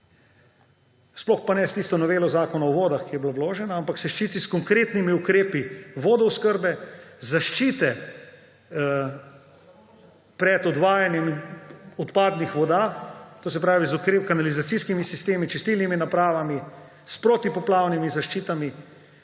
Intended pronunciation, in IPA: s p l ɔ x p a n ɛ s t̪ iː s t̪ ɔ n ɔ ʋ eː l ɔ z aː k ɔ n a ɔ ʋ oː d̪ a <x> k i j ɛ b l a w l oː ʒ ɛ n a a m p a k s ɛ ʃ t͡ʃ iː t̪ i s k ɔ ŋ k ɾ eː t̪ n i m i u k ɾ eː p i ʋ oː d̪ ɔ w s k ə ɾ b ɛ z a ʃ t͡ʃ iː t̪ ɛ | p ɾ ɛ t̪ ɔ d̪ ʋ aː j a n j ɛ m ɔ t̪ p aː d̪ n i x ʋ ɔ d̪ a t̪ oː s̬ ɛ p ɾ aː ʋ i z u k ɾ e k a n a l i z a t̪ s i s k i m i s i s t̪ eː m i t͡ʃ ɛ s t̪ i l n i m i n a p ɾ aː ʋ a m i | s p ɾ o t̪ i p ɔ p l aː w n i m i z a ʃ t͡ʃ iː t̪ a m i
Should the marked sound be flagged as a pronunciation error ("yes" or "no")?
no